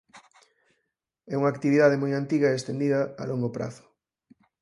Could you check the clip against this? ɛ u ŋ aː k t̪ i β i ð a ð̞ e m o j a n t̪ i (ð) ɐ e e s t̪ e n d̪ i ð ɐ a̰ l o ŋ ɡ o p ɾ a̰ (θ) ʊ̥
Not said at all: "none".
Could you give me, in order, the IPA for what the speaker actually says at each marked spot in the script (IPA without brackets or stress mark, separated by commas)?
ɣ, θ